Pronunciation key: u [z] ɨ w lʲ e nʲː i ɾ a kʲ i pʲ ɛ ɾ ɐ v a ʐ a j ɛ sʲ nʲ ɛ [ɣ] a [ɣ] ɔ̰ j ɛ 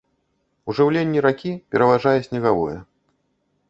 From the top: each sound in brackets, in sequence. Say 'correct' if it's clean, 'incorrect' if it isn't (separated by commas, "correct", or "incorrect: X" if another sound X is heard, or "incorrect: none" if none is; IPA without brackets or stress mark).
incorrect: ʐ, correct, incorrect: v